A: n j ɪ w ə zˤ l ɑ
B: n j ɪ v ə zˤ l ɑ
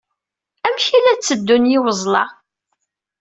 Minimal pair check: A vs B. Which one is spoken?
A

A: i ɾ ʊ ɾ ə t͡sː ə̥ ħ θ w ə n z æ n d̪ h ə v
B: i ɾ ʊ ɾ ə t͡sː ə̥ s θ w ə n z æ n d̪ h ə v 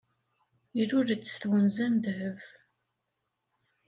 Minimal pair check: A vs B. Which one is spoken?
B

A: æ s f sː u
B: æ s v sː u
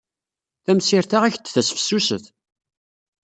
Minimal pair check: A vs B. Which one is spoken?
A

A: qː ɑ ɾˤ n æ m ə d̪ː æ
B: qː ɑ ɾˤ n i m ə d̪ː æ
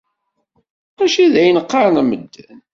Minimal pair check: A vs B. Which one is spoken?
A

